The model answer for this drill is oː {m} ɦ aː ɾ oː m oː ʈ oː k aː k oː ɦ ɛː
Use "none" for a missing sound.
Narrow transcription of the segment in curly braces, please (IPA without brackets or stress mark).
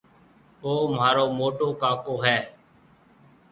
m